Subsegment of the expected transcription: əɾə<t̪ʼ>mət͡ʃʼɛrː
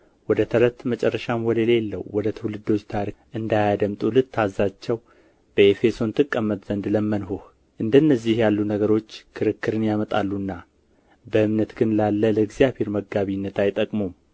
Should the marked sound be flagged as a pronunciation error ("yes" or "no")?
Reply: yes